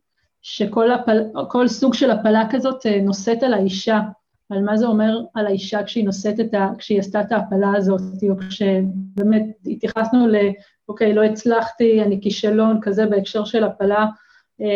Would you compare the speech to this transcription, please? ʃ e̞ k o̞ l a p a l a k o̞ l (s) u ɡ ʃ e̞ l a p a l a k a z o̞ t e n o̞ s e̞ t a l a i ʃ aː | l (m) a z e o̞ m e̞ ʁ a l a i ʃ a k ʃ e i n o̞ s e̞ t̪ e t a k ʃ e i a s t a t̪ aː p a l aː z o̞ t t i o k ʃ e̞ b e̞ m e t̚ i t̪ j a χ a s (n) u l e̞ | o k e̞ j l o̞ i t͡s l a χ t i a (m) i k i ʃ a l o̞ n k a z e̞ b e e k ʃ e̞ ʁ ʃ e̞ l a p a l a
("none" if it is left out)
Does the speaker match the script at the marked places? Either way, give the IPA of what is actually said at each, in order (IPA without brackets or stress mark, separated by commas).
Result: s, m, n, n